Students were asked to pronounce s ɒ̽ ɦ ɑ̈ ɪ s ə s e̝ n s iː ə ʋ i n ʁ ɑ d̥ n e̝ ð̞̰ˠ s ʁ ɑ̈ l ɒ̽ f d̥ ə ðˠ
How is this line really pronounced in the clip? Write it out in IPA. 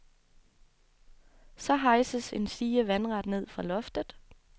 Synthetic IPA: s ɒ̽ ɦ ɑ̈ ɪ s ə s e̝ n s iː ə ʋ æ n ʁ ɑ d̥ n e̝ ð̞̰ˠ f ʁ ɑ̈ l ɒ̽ f d̥ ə ðˠ